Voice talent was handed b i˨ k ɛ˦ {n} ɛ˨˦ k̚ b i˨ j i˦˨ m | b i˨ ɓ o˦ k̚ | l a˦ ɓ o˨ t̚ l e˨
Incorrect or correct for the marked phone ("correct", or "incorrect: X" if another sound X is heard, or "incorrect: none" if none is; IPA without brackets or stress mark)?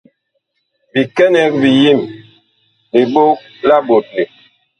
correct